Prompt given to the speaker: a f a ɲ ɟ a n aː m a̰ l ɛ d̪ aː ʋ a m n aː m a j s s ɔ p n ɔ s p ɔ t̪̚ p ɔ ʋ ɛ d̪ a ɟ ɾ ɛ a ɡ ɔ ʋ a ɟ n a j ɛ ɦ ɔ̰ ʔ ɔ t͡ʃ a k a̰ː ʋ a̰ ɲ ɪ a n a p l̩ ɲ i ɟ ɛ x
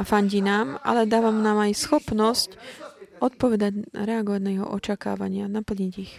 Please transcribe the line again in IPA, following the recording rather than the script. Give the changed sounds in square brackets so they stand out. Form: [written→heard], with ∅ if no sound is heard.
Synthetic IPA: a f a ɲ ɟ [a→i] n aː m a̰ l ɛ d̪ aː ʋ a m n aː m a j s [s→x] ɔ p n ɔ s [p→c] ɔ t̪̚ p ɔ ʋ ɛ d̪ a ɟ ɾ ɛ a ɡ ɔ ʋ a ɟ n a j ɛ ɦ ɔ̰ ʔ ɔ t͡ʃ a k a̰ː ʋ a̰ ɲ ɪ a n a p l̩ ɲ i ɟ [ɛ→i] x